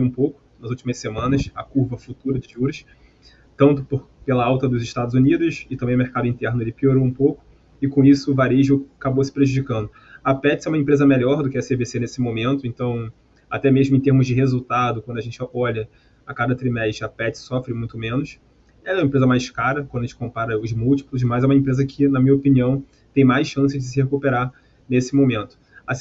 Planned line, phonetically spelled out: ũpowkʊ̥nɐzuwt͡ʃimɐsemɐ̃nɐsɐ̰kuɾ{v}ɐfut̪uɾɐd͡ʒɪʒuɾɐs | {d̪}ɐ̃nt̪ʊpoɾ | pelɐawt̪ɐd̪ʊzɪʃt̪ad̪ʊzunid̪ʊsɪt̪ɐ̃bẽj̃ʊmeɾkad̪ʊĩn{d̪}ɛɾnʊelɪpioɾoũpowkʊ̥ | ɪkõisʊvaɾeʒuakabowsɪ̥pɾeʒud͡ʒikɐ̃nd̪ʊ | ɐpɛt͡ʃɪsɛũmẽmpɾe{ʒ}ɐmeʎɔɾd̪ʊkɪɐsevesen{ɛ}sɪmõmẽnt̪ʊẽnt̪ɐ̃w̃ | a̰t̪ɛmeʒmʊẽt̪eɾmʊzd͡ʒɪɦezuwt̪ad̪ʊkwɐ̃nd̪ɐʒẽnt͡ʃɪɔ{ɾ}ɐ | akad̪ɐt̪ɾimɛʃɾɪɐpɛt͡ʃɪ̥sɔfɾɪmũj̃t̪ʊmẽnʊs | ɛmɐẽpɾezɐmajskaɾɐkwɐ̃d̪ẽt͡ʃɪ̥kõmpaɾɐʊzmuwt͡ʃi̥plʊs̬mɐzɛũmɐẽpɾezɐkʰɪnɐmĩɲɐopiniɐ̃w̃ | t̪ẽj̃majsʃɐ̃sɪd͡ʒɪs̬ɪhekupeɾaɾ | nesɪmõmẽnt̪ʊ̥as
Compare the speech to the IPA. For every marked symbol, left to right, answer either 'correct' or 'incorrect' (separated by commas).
correct, incorrect, incorrect, incorrect, incorrect, incorrect